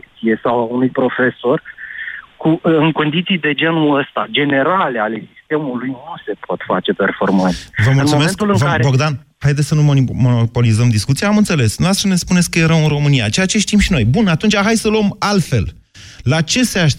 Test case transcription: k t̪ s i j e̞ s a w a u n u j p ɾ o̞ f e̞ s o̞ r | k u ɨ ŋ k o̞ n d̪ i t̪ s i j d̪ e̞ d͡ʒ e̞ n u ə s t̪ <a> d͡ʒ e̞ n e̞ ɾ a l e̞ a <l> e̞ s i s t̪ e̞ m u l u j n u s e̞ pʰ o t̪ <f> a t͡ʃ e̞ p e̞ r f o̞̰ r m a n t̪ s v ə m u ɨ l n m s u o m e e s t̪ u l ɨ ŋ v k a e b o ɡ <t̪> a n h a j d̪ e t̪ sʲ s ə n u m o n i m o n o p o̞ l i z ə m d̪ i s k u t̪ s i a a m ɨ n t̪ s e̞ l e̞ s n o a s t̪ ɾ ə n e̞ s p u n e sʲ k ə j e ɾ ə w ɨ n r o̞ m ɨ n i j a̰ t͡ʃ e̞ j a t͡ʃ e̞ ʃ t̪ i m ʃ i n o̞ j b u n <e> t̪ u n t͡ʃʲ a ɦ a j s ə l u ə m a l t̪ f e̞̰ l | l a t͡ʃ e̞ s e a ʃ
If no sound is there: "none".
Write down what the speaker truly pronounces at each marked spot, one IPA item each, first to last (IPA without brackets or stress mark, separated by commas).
a, l, f, d̪, a